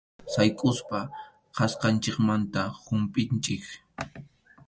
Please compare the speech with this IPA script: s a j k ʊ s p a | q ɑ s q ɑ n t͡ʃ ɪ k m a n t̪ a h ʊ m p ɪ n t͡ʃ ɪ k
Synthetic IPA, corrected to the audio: s a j kʼ ʊ s p a | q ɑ s q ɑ n t͡ʃ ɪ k m a n t̪ a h ʊ m pʼ ɪ n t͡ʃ ɪ k